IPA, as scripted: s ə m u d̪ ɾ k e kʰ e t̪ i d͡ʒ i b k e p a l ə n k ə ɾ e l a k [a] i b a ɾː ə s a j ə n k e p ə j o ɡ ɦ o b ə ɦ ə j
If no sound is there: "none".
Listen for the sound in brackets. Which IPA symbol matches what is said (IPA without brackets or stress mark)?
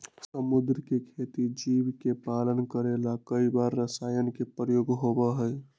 ə